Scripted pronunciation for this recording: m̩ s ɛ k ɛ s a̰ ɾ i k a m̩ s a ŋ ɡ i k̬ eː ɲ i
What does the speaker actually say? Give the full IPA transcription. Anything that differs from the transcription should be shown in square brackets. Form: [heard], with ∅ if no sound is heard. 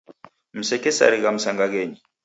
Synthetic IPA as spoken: m̩ s ɛ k ɛ s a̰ ɾ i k a m̩ s a ŋ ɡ [a] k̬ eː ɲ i